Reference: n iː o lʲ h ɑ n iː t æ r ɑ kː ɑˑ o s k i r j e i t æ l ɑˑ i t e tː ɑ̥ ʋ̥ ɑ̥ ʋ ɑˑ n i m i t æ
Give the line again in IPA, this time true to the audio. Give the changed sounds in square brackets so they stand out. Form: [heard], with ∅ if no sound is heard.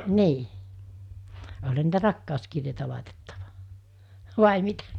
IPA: n iː o lʲ h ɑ n iː t æ r ɑ kː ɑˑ o s k i r j e i t æ l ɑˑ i t e tː ɑ̥ ʋ̥ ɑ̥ ʋ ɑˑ [∅] i m i t æ